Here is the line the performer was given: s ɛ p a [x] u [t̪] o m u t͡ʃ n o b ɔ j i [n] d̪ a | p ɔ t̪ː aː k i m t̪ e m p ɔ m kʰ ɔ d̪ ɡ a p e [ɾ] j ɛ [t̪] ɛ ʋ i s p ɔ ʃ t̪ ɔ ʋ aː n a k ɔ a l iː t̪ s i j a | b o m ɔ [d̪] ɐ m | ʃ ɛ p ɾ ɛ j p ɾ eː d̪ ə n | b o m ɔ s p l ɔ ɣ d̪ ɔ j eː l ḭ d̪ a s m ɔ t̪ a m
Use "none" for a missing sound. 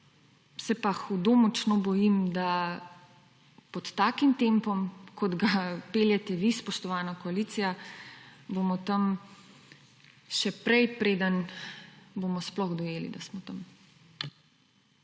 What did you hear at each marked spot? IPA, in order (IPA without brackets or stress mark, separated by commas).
x, d̪, m, l, t̪, t̪